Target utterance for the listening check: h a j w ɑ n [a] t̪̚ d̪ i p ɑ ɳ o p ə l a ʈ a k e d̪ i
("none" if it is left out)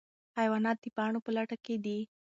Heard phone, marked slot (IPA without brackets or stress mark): ɑ